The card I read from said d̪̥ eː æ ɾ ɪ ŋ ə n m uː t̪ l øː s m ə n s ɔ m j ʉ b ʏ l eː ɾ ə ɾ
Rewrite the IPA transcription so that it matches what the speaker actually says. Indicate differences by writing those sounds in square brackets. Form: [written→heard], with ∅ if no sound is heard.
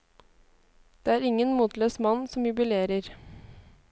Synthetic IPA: d̪̥ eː [æ→æː] ɾ ɪ ŋ ə n m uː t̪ l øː s m [ə→ɑ] n s ɔ m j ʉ b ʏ l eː ɾ ə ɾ